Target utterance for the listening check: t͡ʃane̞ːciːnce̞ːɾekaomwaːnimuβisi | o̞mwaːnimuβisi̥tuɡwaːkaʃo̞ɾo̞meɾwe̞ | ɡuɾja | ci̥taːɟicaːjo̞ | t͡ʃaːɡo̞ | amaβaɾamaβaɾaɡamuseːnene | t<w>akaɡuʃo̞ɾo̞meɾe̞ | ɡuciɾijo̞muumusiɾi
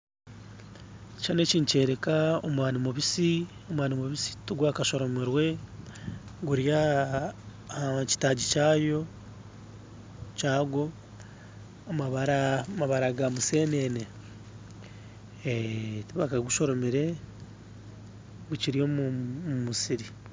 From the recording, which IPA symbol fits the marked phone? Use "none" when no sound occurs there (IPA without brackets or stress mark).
β